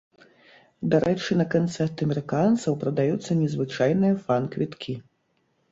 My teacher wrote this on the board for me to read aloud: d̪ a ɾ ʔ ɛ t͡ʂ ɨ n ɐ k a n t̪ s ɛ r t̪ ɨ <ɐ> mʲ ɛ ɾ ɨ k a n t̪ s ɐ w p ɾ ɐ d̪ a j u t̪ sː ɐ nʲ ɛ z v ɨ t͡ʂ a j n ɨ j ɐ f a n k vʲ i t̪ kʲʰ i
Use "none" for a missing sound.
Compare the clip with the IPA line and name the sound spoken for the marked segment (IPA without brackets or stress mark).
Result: ɐ